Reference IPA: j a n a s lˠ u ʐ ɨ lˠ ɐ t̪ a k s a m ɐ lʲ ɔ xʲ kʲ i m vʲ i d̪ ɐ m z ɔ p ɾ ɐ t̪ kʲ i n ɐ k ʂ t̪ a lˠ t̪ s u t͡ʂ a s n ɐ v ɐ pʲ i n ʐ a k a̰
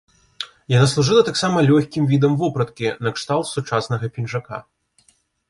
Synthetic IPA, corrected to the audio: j a n a s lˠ u ʐ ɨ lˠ ɐ t̪ a k s a m ɐ lʲ ɔ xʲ kʲ i m vʲ i d̪ ɐ m v ɔ p ɾ ɐ t̪ kʲ i n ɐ k ʂ t̪ a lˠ t̪ s u t͡ʂ a s n ɐ ɣ ɐ pʲ i n ʐ a k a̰